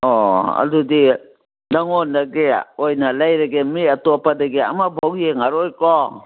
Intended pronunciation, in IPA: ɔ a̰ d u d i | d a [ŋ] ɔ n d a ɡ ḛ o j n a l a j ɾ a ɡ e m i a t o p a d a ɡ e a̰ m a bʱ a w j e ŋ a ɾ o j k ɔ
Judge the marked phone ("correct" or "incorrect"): correct